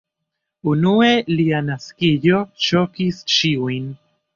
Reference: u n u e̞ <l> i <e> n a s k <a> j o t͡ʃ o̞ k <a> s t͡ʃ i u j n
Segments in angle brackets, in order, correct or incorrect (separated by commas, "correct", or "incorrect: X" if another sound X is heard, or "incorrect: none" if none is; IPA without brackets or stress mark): correct, incorrect: a, incorrect: i, incorrect: i